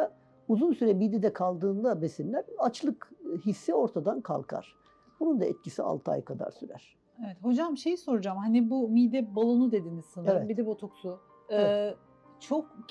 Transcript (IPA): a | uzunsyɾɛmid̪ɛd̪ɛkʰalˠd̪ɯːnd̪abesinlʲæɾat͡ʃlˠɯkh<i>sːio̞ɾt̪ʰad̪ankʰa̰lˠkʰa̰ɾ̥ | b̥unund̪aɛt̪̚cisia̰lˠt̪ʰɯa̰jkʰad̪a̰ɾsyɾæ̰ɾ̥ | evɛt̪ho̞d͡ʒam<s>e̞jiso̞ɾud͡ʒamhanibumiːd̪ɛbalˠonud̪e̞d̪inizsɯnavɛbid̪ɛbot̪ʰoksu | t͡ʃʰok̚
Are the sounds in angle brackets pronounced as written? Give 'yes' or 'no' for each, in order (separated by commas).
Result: yes, no